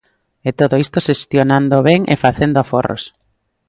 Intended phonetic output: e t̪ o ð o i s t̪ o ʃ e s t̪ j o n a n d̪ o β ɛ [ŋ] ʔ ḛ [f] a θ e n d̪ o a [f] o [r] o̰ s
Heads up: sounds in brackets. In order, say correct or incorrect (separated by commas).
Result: correct, correct, correct, correct